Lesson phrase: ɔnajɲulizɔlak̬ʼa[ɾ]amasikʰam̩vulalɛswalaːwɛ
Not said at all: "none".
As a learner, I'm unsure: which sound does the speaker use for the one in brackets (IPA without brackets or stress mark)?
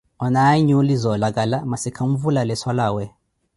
l